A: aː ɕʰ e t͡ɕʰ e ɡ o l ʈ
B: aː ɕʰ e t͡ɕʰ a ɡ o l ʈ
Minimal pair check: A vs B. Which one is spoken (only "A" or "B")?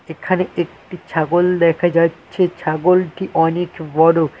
B